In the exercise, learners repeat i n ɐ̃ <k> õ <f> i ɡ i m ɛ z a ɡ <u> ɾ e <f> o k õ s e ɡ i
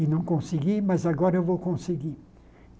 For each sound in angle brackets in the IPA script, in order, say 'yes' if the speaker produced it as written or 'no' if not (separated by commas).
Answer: yes, no, no, no